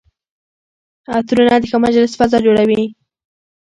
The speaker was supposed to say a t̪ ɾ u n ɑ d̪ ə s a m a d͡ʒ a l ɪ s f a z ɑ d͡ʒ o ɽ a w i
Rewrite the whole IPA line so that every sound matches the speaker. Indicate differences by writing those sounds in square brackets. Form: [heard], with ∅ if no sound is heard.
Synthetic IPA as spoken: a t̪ ɾ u n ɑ d̪ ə [x] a m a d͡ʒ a l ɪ s f a z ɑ d͡ʒ o ɽ a w i